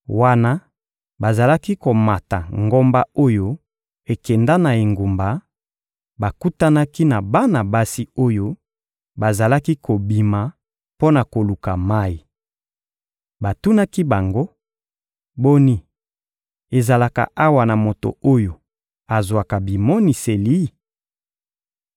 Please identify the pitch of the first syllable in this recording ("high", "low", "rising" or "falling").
high